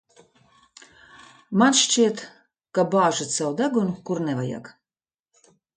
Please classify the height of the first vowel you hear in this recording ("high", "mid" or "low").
low